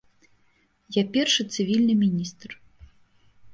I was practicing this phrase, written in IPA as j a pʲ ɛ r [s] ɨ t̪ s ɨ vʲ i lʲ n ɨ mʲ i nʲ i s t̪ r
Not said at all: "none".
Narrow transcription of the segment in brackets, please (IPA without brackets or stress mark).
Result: ʂ